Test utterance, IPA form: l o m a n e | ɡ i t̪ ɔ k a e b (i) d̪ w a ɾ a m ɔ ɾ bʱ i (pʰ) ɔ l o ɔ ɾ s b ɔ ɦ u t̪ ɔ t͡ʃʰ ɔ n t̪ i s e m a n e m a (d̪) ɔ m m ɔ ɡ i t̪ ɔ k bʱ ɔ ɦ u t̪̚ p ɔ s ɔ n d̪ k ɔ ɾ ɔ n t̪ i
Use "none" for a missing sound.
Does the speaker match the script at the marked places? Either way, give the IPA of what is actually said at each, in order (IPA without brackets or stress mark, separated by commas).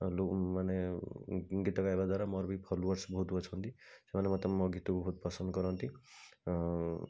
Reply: a, pʰ, t̪